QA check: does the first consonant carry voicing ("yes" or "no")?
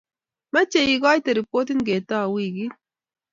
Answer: yes